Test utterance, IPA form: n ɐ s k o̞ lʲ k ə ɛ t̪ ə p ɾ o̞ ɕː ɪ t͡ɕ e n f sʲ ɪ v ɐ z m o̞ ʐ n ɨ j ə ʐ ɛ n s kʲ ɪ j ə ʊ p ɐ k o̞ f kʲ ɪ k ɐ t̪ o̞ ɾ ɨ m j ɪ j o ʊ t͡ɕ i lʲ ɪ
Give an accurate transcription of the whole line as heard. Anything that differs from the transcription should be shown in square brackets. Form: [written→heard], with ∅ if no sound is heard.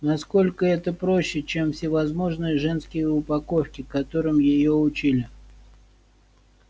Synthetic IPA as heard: n ɐ s k o̞ lʲ k ə ɛ t̪ ə p ɾ o̞ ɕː ɪ t͡ɕ e [n→m] f sʲ ɪ v ɐ z m o̞ ʐ n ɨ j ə ʐ ɛ n s kʲ ɪ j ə ʊ p ɐ k o̞ f kʲ ɪ k ɐ t̪ o̞ ɾ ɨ m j ɪ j o ʊ t͡ɕ i lʲ ɪ